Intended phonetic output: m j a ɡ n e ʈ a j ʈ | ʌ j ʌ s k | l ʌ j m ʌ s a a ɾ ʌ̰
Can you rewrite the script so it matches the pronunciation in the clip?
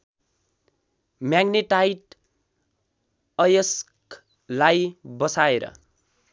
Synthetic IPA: m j a ɡ n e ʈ a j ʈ | ʌ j ʌ s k | l a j b ʌ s a e ɾ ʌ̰